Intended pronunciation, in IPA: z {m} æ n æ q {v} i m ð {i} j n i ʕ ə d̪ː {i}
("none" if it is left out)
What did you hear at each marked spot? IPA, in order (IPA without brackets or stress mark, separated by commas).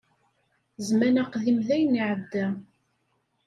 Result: m, ð, æ, æ